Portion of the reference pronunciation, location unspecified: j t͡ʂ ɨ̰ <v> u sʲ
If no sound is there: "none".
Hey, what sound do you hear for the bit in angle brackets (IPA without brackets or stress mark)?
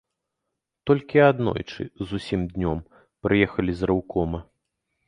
z